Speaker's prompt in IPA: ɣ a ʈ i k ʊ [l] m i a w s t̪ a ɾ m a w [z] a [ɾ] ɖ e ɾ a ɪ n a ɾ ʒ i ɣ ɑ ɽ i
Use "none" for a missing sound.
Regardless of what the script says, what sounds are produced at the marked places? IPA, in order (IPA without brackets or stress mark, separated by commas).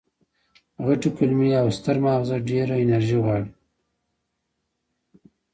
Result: l, z, none